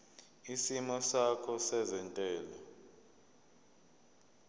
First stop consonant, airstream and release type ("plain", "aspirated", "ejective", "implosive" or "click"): aspirated